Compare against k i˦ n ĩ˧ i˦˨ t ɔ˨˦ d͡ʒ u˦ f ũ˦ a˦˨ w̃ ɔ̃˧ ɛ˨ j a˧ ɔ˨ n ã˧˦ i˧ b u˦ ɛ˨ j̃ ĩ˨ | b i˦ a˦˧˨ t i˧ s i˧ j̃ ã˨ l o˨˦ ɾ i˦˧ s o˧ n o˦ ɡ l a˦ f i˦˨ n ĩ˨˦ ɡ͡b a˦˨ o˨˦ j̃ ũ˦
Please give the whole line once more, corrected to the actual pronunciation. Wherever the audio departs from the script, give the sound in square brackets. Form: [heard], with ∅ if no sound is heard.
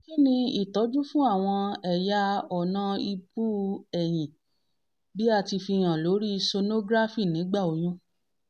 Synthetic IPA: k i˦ n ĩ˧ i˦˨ t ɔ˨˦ d͡ʒ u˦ f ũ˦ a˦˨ w̃ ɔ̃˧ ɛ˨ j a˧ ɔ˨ n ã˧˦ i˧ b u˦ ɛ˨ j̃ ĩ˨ | b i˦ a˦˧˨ t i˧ [f] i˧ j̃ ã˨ l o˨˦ ɾ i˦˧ s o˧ n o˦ ɡ [ɾ] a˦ f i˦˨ n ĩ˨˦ ɡ͡b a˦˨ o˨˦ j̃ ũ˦